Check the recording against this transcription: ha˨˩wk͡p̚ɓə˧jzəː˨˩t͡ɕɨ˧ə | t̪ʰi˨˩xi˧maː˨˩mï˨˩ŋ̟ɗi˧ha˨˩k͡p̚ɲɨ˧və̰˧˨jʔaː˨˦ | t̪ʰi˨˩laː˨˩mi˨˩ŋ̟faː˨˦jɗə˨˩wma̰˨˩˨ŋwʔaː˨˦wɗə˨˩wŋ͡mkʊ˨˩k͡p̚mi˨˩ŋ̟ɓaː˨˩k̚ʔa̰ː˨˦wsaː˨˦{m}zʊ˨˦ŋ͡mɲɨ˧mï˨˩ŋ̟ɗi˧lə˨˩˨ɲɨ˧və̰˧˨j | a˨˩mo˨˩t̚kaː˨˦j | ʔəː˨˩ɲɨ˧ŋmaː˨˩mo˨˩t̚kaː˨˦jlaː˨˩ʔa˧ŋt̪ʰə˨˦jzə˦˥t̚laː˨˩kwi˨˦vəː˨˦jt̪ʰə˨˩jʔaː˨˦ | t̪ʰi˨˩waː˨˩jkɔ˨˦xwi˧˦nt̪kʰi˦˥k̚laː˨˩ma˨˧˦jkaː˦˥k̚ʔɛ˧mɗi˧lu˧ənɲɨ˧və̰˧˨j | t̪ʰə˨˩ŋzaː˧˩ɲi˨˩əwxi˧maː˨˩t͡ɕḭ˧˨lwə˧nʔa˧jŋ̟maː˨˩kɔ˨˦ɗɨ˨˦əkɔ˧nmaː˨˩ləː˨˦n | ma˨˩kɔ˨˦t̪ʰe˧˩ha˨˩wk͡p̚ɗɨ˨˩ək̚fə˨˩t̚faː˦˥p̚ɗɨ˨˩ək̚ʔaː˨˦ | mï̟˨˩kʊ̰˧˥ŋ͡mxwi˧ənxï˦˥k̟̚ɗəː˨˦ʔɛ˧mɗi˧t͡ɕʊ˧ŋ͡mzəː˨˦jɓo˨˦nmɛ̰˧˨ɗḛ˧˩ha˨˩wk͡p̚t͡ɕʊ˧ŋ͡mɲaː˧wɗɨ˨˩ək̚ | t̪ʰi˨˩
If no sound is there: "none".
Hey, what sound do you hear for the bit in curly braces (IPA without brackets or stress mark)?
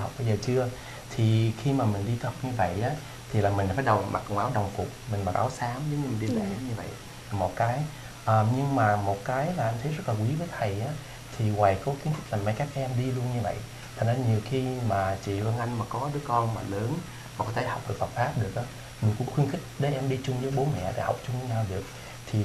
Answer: m